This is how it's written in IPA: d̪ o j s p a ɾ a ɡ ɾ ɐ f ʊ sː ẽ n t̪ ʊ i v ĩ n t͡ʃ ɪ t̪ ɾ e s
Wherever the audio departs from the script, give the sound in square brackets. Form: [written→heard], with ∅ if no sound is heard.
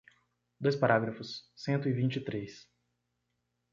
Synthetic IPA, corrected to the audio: d̪ o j s p a ɾ a ɡ ɾ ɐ f ʊ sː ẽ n t̪ ʊ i v ĩ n t͡ʃ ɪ t̪ ɾ e s